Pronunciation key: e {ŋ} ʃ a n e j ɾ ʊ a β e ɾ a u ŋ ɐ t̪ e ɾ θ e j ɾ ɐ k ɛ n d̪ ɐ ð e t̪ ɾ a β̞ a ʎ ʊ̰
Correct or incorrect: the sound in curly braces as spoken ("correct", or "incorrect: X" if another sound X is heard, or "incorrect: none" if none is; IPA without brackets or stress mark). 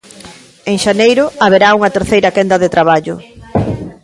correct